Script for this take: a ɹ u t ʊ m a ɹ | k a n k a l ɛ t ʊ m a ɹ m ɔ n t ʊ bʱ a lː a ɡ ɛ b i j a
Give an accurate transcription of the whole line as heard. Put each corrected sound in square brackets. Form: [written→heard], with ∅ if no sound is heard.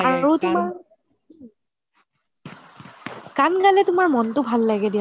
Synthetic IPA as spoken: a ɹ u t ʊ m a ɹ | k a n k a l ɛ t ʊ m a ɹ m ɔ n t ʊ bʱ a lː a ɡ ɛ [b→d] i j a